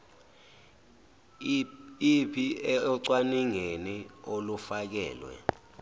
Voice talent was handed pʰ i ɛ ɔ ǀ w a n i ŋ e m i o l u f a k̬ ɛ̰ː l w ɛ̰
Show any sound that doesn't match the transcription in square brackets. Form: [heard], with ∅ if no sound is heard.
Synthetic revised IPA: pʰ i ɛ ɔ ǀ w a n i ŋ e [n] i o l u f a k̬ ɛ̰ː l w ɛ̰